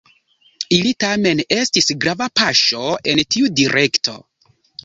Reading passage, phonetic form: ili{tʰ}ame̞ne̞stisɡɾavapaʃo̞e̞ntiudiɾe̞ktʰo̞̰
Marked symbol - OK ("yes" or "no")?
no